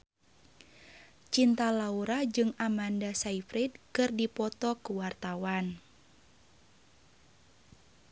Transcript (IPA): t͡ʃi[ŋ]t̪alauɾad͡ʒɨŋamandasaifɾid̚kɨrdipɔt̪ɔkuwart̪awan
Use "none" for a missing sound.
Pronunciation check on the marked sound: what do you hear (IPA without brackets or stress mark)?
n